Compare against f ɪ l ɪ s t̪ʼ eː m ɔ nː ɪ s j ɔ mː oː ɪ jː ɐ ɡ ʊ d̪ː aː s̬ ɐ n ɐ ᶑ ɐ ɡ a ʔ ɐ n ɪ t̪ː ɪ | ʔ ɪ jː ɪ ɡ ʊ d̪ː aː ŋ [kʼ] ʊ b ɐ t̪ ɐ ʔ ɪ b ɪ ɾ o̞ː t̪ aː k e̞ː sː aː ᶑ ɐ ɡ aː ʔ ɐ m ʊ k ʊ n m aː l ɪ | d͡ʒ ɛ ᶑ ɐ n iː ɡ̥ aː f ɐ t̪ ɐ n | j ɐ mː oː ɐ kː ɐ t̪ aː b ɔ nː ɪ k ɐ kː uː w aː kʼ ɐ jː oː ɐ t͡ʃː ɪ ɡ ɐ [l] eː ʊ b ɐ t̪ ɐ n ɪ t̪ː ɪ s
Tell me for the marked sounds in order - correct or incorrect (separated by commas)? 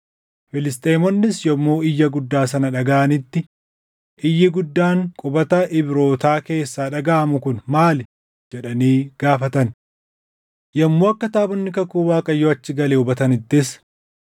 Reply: correct, correct